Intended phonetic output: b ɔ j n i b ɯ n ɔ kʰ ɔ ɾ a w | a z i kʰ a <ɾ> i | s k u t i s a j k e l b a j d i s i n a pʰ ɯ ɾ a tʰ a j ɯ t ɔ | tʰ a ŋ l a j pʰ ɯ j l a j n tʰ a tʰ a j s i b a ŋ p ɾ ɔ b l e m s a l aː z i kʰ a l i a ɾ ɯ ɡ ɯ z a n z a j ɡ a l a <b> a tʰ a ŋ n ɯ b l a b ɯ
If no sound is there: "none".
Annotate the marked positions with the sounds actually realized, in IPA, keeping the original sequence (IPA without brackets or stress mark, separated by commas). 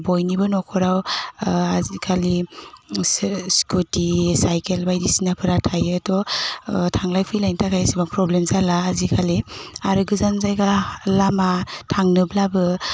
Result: l, m